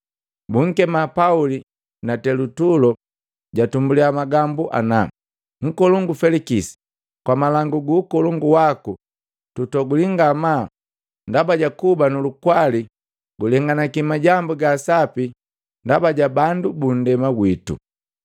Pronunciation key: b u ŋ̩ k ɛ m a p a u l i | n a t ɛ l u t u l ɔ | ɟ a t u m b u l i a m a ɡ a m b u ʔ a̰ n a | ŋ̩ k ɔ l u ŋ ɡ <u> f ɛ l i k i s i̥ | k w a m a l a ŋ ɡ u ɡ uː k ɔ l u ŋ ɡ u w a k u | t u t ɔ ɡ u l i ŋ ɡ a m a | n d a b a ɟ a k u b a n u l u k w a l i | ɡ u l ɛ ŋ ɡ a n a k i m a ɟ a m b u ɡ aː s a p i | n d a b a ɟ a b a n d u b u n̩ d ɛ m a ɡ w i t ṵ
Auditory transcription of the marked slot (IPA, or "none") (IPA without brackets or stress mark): u